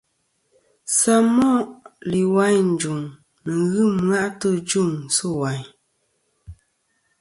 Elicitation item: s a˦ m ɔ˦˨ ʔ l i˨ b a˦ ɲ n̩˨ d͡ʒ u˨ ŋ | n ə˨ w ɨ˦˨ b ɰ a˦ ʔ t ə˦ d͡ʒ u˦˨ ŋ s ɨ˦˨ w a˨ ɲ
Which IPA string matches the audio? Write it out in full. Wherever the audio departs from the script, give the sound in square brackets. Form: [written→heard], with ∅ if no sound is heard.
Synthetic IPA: s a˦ m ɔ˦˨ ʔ l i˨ [b→w] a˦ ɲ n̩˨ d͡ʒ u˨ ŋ | n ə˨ [w→ɣ] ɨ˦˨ [b→m] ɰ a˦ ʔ t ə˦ d͡ʒ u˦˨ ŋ s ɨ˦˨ w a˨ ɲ